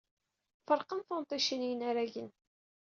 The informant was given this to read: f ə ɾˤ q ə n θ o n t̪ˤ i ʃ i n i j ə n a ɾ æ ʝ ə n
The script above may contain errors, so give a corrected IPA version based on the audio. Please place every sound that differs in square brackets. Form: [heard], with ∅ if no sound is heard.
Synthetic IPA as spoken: f ə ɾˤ q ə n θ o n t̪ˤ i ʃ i n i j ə n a ɾ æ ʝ ə n